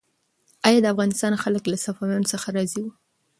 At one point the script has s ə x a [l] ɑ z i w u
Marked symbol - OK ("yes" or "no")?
no